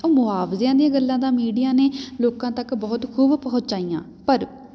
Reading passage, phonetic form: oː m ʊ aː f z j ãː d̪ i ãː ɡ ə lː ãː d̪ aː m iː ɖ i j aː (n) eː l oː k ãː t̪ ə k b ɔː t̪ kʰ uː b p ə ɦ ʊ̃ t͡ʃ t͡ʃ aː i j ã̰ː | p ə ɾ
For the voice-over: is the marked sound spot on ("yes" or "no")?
yes